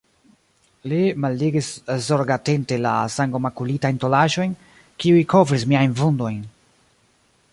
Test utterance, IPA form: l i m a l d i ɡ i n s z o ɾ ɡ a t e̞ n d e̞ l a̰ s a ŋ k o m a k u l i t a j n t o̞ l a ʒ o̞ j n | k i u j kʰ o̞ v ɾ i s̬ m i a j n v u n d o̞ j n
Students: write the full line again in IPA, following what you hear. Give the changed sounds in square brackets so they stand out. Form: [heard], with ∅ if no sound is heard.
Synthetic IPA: l i m a l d i ɡ i [∅] s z o ɾ ɡ a t e̞ n [t] e̞ l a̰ s a ŋ [ɡ] o m a k u l i t a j n t o̞ l a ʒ o̞ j n | k i u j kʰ o̞ v ɾ i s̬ m i a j n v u n d o̞ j n